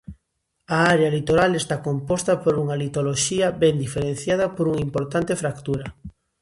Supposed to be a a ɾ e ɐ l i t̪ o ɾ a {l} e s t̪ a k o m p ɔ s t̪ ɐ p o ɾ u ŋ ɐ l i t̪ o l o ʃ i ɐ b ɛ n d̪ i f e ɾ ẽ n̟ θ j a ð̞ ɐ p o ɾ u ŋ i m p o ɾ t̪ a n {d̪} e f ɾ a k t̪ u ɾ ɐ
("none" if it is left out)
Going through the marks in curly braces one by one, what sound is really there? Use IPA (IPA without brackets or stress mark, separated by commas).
l, t̪